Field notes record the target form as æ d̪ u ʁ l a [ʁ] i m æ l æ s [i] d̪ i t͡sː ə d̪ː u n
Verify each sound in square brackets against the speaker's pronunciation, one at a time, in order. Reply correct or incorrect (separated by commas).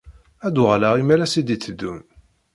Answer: correct, correct